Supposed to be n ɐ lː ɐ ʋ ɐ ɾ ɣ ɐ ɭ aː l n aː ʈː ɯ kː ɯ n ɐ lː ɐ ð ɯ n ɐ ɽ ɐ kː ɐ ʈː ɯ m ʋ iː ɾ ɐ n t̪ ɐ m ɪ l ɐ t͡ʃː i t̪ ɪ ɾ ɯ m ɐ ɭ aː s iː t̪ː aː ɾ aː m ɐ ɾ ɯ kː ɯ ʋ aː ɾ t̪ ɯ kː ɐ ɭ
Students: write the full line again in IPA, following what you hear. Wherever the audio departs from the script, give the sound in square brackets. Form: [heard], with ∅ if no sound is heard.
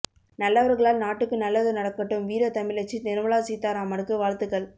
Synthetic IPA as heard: n ɐ lː ɐ ʋ ɐ ɾ ɣ ɐ ɭ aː l n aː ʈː ɯ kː ɯ n ɐ lː ɐ ð ɯ n ɐ ɽ ɐ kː ɐ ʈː ɯ m ʋ iː ɾ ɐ [∅] t̪ ɐ m ɪ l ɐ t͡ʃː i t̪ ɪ ɾ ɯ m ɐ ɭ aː s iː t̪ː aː ɾ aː m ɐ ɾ ɯ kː ɯ ʋ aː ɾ t̪ ɯ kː ɐ ɭ